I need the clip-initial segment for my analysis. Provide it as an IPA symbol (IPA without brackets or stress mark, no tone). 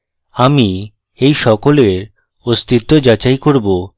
a